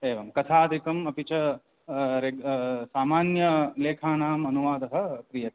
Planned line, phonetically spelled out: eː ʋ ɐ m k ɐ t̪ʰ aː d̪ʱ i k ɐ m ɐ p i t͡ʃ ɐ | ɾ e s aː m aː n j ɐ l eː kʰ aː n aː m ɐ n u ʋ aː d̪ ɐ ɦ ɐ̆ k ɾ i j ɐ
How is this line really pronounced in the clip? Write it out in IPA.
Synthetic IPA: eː ʋ ɐ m k ɐ t̪ʰ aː d̪ʱ i k ɐ m ɐ p i t͡ʃ ɐ | ɾ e s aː m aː n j ɐ l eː kʰ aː n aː m ɐ n u ʋ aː d̪ ɐ ɦ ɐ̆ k ɾ i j ɐ